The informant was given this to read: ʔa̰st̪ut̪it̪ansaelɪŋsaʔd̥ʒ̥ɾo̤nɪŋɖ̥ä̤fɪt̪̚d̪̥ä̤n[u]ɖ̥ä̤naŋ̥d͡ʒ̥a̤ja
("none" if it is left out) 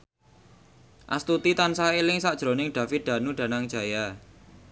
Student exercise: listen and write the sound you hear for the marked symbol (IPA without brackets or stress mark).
u